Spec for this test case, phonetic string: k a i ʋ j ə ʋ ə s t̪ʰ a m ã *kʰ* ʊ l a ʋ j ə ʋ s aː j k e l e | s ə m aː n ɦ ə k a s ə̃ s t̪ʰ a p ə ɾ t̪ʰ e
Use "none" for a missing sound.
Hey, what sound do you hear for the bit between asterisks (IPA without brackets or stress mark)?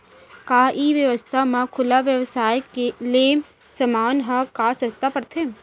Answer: kʰ